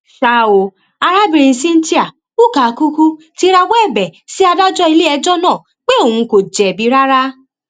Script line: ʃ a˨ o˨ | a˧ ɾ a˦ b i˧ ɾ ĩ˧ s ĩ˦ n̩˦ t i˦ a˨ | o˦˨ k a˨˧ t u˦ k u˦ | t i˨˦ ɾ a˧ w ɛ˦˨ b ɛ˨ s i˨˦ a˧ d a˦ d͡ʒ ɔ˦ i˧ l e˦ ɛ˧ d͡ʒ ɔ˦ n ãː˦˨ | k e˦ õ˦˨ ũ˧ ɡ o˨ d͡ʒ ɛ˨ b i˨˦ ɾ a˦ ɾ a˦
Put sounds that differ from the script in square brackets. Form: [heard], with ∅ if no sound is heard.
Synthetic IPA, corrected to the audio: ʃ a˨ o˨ | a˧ ɾ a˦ b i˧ ɾ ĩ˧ s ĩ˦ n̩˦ t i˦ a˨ | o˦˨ k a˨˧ [k] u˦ k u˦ | t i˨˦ ɾ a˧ w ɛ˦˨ b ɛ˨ s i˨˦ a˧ d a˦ d͡ʒ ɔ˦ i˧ l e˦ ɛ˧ d͡ʒ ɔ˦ n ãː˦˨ | [k͡p] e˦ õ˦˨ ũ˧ [k] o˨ d͡ʒ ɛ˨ b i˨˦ ɾ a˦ ɾ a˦